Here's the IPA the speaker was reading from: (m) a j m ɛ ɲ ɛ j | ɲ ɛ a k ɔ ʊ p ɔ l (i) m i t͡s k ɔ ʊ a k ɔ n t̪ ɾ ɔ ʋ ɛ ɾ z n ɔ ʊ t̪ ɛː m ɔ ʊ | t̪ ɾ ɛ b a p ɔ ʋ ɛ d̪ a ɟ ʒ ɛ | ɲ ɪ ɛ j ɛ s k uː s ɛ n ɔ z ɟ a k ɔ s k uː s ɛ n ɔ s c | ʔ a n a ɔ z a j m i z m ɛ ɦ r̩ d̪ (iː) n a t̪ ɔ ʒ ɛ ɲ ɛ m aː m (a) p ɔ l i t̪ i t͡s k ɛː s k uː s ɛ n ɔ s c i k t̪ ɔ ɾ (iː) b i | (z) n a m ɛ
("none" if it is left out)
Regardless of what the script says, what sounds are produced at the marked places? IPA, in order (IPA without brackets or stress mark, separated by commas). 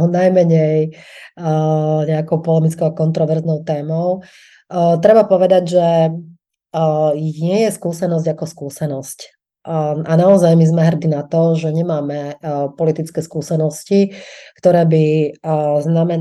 n, ɛ, i, ɛ, ɛː, z